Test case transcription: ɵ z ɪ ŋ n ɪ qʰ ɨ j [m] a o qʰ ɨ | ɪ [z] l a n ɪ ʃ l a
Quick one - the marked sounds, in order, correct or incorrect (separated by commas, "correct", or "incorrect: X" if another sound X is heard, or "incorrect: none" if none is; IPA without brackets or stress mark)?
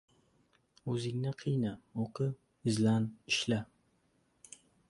incorrect: n, correct